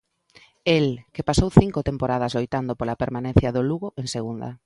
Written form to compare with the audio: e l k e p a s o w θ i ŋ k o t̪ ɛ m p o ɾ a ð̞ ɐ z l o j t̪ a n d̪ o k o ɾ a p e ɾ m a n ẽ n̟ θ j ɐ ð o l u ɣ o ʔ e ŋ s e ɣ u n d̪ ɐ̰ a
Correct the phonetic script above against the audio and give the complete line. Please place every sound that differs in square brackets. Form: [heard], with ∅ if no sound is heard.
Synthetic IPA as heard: e l k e p a s o w θ i ŋ k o t̪ [e] m p o ɾ a ð̞ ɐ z l o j t̪ a n d̪ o [p] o [l] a p e ɾ m a n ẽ n̟ θ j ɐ ð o l u ɣ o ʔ e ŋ s e ɣ u n d̪ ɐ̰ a